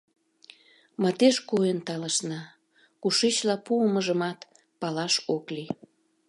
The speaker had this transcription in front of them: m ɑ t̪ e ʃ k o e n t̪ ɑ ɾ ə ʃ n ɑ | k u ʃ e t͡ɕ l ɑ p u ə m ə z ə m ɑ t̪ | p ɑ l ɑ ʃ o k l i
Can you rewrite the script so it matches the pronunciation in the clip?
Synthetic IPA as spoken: m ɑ t̪ e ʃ k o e n t̪ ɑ l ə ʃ n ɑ | k u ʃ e t͡ɕ l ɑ p u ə m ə ʒ ə m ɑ t̪ | p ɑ l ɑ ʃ o k l i